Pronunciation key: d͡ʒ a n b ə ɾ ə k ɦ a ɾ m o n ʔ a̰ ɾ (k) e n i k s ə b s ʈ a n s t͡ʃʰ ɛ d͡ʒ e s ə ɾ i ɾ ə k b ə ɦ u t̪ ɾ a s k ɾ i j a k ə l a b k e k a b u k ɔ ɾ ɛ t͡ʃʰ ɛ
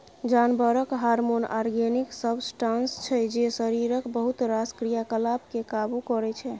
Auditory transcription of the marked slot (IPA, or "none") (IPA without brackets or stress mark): ɡ